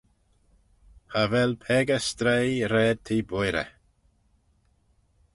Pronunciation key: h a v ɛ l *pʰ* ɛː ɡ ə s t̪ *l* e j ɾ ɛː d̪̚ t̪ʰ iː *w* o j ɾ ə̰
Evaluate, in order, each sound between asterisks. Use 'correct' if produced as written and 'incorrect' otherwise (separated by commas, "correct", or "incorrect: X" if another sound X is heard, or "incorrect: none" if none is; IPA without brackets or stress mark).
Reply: correct, incorrect: ɾ, incorrect: b